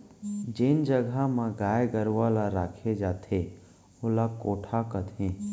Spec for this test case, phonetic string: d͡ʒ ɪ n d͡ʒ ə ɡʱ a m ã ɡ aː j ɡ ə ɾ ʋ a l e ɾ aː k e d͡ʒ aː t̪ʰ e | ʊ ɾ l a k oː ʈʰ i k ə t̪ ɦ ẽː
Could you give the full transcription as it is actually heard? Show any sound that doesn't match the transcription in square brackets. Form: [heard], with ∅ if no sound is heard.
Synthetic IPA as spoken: d͡ʒ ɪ n d͡ʒ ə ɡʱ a m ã ɡ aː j ɡ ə ɾ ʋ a l [a] ɾ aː [kʰ] e d͡ʒ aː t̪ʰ e | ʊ [∅] l a k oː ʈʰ [a] k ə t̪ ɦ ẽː